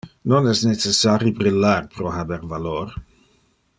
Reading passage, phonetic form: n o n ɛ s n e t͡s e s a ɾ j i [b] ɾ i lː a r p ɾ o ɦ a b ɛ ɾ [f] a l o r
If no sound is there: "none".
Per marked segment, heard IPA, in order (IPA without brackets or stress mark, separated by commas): b, v